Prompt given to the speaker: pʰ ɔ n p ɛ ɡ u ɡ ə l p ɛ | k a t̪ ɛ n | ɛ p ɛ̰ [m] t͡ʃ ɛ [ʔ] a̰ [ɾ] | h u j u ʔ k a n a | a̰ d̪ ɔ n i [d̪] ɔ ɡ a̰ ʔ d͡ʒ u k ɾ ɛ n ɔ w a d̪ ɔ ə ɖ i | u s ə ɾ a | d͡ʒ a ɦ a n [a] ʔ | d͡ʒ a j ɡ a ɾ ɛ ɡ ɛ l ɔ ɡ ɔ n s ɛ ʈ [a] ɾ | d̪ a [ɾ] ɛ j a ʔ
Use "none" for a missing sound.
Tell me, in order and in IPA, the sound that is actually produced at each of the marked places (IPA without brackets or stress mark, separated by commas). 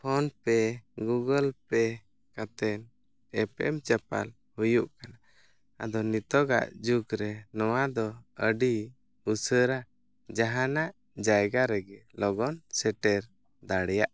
m, p, l, t̪, a, ɛ, ɽ